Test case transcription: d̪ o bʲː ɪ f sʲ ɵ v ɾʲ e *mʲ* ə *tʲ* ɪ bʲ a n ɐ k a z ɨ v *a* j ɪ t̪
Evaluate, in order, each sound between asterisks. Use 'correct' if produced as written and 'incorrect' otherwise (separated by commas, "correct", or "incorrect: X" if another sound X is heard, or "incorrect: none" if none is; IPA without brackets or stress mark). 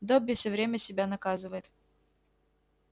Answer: correct, incorrect: sʲ, incorrect: ə